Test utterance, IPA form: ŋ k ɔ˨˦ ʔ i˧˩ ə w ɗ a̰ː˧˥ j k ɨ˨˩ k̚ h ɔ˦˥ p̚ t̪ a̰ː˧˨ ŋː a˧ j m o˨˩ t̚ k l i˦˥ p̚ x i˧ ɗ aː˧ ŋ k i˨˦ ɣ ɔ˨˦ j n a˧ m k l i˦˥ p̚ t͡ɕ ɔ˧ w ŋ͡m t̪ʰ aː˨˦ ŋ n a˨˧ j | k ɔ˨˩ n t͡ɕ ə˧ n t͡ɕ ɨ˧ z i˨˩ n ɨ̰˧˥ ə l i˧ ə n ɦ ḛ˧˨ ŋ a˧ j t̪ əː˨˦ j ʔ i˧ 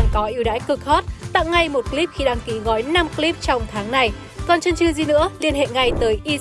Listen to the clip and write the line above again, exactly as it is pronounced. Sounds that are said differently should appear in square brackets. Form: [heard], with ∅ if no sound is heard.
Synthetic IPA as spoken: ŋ k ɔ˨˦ ʔ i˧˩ ə w ɗ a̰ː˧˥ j k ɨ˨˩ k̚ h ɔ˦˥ [t̚] t̪ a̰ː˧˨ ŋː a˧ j m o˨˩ t̚ k l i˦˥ p̚ x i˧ ɗ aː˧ ŋ k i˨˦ ɣ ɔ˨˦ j n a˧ m k l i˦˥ p̚ t͡ɕ ɔ˧ w ŋ͡m t̪ʰ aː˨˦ ŋ n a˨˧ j | k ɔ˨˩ n t͡ɕ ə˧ n t͡ɕ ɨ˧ z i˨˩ n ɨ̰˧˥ ə l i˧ ə n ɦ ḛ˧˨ ŋ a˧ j t̪ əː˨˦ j ʔ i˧